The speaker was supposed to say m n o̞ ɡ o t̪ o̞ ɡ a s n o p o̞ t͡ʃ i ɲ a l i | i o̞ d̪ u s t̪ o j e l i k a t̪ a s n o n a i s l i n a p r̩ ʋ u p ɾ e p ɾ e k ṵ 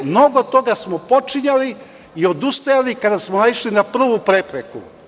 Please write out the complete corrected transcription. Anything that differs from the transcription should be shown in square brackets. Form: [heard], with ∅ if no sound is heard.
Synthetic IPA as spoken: m n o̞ ɡ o t̪ o̞ ɡ a s [m] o p o̞ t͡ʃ i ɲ a l i | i o̞ d̪ u s t̪ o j [a] l i k a [d̪] a s [m] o n a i [ʃ] l i n a p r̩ ʋ u p ɾ e p ɾ e k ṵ